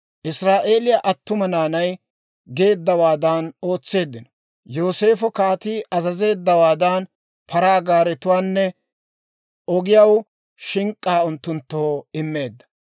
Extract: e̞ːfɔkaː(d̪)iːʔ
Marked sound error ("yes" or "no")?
yes